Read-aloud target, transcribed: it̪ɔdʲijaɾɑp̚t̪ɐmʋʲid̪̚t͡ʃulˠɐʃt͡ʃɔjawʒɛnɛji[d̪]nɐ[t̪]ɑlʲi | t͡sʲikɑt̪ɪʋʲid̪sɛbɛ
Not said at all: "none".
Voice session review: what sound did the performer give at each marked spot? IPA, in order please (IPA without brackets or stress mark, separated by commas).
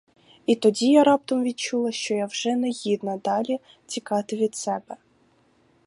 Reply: d̪, d̪